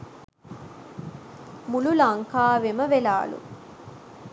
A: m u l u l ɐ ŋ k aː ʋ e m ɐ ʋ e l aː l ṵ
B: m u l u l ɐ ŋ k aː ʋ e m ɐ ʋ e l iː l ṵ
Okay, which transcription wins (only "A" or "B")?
A